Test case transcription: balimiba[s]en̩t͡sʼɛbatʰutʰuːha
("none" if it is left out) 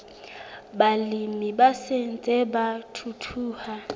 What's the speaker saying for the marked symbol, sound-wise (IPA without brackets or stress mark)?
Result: s